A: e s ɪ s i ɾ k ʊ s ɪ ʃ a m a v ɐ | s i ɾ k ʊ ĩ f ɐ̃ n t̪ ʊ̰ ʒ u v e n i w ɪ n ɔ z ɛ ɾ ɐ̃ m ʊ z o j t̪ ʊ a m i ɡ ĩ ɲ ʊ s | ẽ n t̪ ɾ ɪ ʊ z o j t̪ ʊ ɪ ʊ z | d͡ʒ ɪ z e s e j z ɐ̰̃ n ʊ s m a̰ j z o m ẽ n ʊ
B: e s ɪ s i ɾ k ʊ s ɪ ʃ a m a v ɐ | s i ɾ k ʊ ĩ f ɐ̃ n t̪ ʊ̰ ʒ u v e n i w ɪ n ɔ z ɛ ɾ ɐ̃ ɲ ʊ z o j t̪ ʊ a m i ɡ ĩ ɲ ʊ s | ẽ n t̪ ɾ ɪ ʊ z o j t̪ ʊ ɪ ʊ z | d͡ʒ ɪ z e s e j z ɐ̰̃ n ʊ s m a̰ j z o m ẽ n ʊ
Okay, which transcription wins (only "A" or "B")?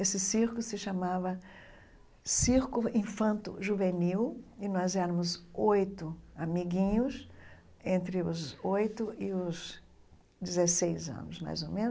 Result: A